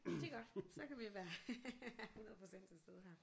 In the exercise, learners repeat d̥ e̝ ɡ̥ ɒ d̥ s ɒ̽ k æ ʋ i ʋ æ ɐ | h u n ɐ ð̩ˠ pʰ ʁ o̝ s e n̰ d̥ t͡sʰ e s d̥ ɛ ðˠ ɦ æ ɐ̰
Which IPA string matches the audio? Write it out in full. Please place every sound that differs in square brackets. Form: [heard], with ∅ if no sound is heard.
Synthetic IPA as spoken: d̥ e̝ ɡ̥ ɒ d̥ s ɒ̽ k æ ʋ i ʋ æ ɐ | h u n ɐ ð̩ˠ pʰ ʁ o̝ s e n̰ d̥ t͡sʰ e s d̥ [e] ðˠ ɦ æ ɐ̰